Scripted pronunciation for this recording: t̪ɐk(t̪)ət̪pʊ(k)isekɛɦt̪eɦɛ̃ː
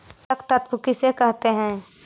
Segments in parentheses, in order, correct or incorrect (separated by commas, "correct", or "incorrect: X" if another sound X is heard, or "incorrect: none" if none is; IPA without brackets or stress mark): correct, correct